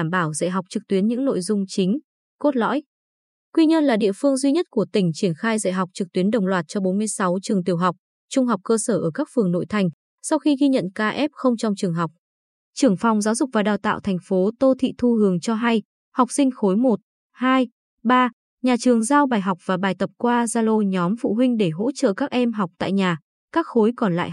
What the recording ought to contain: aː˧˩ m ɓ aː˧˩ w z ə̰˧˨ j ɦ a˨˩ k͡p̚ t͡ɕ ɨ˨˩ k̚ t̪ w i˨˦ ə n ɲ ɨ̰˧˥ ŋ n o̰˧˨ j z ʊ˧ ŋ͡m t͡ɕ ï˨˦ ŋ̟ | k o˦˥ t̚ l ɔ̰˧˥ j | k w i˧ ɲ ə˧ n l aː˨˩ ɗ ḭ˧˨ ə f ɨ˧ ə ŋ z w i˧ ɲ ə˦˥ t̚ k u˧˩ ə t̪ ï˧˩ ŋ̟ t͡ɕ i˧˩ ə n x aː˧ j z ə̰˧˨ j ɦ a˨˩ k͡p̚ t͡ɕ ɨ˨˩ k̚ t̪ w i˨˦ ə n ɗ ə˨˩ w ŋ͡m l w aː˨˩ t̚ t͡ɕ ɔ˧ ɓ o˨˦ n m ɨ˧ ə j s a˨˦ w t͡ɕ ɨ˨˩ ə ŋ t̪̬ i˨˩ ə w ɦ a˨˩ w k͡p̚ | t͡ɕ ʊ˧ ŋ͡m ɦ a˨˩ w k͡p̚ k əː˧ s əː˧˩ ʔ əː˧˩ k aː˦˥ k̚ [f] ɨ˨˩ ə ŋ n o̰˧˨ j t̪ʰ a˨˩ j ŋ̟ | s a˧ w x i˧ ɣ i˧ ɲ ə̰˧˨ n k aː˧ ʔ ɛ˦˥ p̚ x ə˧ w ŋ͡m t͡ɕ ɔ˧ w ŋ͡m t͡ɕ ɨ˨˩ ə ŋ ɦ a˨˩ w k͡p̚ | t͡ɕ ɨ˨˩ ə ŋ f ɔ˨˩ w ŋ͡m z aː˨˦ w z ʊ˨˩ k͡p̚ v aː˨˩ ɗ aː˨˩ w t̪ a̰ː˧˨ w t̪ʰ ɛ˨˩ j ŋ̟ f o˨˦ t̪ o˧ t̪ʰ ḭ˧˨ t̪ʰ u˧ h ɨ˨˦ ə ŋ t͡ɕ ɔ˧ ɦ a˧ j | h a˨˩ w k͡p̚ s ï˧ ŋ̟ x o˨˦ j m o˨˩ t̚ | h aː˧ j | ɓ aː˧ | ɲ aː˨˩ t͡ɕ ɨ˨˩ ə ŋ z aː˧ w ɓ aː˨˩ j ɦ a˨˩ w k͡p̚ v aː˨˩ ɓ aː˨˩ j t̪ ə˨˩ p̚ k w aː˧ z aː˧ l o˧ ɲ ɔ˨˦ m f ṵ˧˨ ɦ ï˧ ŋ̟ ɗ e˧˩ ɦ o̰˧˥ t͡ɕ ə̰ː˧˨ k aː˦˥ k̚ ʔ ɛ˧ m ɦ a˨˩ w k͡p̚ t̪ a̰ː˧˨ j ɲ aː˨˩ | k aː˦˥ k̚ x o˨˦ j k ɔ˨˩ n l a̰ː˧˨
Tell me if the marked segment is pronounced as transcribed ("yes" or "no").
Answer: yes